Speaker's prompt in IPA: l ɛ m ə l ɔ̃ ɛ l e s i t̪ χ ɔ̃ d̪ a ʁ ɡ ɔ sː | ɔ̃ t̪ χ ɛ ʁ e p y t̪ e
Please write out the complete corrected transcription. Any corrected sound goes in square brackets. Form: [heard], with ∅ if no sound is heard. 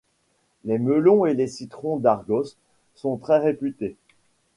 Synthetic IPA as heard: l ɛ m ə l ɔ̃ [e] l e s i t̪ χ ɔ̃ d̪ a ʁ ɡ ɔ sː | ɔ̃ t̪ χ ɛ ʁ e p y t̪ e